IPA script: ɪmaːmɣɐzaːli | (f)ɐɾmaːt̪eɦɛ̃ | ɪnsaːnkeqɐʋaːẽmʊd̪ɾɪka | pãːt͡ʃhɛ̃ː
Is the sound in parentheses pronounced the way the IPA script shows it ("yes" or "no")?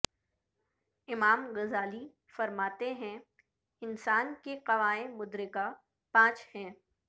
yes